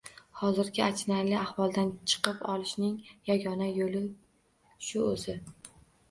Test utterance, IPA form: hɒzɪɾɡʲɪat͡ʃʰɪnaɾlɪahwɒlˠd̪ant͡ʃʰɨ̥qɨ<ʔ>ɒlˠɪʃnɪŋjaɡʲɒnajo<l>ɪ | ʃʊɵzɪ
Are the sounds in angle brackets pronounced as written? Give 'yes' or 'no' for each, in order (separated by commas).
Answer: no, yes